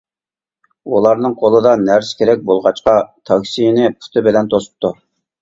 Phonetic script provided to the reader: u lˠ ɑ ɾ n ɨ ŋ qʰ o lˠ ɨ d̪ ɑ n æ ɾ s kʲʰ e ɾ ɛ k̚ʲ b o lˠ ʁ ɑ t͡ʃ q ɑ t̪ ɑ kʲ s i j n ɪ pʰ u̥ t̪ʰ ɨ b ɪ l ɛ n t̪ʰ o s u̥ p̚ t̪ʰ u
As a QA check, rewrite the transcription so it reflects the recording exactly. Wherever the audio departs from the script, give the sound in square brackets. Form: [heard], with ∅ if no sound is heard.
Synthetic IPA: u lˠ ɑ ɾ n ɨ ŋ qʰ o lˠ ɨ d̪ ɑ n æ ɾ s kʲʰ e ɾ ɛ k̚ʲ b o lˠ ʁ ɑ t͡ʃ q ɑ [t̪ʰ] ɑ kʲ s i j n ɪ pʰ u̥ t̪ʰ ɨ b ɪ l ɛ n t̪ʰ o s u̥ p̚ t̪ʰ u

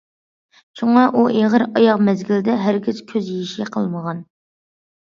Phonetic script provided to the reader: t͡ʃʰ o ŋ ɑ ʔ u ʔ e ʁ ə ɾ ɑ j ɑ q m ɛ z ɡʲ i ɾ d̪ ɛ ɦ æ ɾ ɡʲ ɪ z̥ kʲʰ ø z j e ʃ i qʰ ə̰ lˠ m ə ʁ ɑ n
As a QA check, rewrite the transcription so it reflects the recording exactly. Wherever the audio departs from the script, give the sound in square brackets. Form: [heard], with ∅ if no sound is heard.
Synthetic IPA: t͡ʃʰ [u] ŋ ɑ ʔ u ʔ e ʁ ə ɾ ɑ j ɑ q m ɛ z ɡʲ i [l] d̪ ɛ ɦ æ ɾ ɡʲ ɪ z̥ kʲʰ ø z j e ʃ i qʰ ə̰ lˠ m ə ʁ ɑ n

